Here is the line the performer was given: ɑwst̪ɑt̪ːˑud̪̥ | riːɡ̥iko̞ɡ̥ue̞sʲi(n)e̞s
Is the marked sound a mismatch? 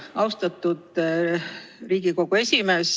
yes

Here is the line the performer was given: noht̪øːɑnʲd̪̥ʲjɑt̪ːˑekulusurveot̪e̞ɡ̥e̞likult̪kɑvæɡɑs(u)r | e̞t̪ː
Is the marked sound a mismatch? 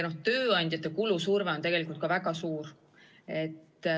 yes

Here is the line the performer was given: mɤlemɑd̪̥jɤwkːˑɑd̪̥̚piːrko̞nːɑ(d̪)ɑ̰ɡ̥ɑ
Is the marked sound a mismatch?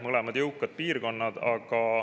no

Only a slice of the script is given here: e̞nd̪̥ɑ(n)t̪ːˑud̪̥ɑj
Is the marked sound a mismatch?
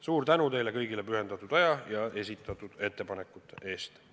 yes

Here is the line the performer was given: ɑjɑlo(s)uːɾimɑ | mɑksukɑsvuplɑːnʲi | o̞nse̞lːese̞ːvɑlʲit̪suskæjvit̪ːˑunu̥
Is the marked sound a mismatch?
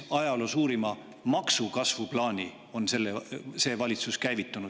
no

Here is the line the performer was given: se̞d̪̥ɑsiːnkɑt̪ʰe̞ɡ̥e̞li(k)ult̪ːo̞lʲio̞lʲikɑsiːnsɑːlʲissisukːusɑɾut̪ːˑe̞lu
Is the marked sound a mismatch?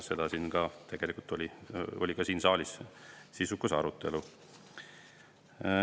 no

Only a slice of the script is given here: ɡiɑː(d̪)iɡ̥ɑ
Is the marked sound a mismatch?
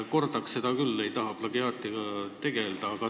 yes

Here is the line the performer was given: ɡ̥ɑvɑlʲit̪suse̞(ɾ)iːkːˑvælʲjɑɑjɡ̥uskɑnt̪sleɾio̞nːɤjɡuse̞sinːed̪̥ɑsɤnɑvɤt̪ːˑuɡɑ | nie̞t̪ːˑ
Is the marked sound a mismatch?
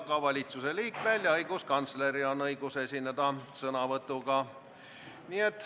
yes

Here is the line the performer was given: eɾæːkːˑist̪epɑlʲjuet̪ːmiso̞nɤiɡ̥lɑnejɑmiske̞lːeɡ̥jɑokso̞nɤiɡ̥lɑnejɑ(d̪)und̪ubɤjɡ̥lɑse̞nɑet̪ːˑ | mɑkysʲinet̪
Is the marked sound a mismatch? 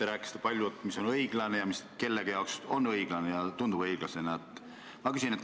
yes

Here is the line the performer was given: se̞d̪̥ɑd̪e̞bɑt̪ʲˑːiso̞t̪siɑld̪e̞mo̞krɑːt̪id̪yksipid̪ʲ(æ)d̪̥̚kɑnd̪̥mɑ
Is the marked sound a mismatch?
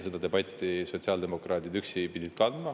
yes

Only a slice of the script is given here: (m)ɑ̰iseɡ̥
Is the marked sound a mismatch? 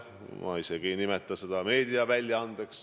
no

